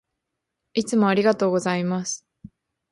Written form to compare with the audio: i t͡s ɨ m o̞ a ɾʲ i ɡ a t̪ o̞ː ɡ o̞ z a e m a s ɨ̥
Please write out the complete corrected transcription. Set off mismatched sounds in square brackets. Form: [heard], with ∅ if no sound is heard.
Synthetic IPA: i t͡s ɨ m o̞ a ɾʲ i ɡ a t̪ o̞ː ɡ o̞ z a [i] m a s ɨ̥